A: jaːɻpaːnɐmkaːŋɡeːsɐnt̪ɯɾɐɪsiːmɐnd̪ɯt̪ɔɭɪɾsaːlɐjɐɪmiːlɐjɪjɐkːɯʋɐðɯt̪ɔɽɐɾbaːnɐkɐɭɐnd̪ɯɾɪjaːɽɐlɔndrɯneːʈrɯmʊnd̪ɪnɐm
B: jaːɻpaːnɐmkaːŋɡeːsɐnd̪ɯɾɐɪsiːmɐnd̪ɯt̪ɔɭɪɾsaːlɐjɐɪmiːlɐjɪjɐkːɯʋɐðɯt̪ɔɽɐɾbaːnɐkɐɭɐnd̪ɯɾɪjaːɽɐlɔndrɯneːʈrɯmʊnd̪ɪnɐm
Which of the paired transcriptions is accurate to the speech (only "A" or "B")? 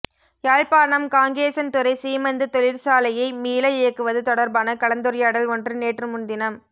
A